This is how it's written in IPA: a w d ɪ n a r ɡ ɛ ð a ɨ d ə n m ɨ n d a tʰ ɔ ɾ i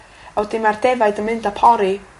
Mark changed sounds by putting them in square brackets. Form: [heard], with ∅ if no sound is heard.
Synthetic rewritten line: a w d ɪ [m] a r [d] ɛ [v] a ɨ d ə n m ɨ n d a [pʰ] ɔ ɾ i

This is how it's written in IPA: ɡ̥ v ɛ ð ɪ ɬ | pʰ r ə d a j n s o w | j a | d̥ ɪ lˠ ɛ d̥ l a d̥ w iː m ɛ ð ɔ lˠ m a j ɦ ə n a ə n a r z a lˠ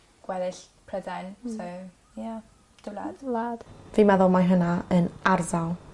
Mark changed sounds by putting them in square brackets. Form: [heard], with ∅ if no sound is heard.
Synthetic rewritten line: ɡ̥ [w] ɛ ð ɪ ɬ | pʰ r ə d a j n s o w | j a | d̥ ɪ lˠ [a] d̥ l a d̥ [v] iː m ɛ ð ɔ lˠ m a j ɦ ə n a ə n a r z a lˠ

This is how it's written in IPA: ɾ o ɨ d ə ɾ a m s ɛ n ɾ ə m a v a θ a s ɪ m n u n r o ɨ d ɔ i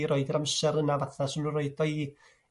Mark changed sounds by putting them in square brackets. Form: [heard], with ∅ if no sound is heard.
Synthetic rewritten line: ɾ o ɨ d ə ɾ a m s ɛ [∅] ɾ ə [n] a v a θ a s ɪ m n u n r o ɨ d ɔ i

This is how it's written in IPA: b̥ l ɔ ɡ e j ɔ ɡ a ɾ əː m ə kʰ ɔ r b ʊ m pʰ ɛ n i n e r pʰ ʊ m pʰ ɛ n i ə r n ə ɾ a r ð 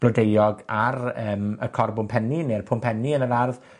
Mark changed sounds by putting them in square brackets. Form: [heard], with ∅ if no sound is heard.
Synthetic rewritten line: b̥ l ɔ [d] e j ɔ ɡ a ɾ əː m ə kʰ ɔ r b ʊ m pʰ ɛ n i n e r pʰ ʊ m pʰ ɛ n i ə [∅] n ə ɾ a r ð

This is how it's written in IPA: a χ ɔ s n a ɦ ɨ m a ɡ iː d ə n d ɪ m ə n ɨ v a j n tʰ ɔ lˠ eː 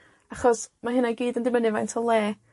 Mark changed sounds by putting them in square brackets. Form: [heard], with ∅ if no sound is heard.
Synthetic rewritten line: a χ ɔ s [m] a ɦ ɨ [n] a ɡ iː d ə n d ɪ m ə n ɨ v a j n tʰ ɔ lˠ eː

